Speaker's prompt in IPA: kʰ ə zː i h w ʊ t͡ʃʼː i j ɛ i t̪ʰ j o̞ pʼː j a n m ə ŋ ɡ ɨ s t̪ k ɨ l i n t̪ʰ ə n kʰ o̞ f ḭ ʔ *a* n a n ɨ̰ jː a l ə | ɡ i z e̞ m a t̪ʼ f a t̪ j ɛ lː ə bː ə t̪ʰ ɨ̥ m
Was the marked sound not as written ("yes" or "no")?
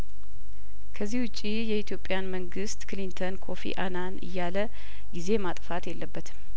no